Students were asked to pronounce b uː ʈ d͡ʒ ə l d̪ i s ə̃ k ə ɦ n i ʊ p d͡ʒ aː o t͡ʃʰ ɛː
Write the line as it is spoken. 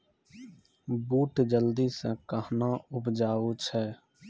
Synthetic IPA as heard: b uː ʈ d͡ʒ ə l d̪ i s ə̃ k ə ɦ n a ʊ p d͡ʒ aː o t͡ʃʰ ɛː

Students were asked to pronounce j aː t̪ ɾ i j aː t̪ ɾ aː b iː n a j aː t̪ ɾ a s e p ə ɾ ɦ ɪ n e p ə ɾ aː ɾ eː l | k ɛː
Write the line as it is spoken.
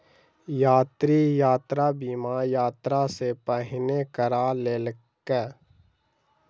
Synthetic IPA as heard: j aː t̪ ɾ i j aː t̪ ɾ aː b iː m a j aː t̪ ɾ a s e p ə ɦ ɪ n e k ə ɾ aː l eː l | k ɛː

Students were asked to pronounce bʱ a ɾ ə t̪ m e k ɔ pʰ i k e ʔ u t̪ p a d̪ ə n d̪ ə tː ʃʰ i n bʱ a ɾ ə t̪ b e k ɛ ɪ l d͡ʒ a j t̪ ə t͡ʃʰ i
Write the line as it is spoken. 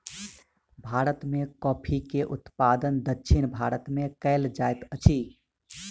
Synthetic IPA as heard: bʱ a ɾ ə t̪ m e k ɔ pʰ i k e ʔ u t̪ p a d̪ ə n d̪ ə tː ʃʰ i n bʱ a ɾ ə t̪ m e k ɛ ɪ l d͡ʒ a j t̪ ə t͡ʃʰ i

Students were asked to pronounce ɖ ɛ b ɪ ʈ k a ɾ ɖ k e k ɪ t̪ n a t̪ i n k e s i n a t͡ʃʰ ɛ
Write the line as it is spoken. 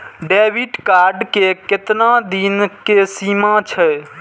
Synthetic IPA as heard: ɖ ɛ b i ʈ k a ɾ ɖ k e k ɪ t̪ n a d̪ i n k e s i m a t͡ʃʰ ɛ

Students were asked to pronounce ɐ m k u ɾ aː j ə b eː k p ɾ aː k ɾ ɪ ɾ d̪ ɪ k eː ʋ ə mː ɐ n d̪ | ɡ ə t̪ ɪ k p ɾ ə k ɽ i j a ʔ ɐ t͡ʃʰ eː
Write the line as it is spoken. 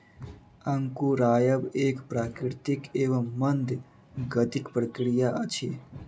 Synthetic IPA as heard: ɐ ŋ k u ɾ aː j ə b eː k p ɾ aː k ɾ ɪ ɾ t̪ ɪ k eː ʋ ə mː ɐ n d̪ | ɡ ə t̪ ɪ k p ɾ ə k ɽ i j a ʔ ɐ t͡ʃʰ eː

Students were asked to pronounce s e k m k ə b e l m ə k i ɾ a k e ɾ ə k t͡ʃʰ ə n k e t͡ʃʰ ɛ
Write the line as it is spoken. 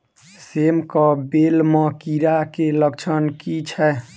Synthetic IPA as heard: s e m k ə b e l m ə k i ɾ a k e l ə k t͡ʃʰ ə n k i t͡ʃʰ ɛ

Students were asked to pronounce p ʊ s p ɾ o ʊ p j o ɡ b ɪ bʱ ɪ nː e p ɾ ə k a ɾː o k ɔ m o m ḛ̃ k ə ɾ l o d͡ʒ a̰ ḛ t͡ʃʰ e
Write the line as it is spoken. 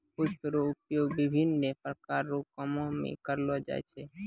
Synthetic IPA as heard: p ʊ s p ɾ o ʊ p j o ɡ b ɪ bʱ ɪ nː e p ɾ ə k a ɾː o k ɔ m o m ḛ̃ k ə ɾ l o d͡ʒ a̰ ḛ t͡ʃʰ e

